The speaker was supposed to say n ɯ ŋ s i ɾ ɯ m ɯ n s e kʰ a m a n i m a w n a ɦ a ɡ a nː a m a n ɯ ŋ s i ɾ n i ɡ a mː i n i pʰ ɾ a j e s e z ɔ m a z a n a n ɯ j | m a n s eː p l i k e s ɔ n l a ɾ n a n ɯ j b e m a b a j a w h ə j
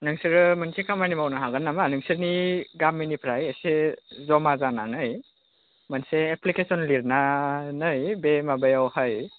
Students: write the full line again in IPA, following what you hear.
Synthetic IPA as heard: n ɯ ŋ s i ɾ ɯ m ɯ n s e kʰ a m a n i m a w n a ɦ a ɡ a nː a m a n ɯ ŋ s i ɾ n i ɡ a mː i n i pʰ ɾ a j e s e z ɔ m a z a n a n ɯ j | m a n s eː p l i k e s ɔ n l i ɾ n a n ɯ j b e m a b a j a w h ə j